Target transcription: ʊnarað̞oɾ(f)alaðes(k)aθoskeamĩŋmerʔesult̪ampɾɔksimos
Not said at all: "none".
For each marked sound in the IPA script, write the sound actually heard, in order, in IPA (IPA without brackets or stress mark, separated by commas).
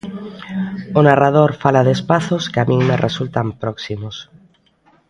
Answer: f, p